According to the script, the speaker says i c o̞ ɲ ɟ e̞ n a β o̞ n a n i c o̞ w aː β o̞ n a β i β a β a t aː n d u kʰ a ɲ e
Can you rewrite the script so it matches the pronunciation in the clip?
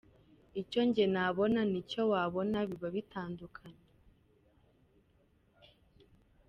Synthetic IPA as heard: i c o̞ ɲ ɟ e̞ n a β o̞ n a n i c o̞ w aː β o̞ n a β i β a β i t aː n d u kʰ a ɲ e